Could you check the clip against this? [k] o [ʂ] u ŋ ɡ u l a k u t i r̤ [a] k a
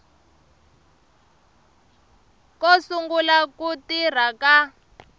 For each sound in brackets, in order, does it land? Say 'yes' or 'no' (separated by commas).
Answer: yes, no, yes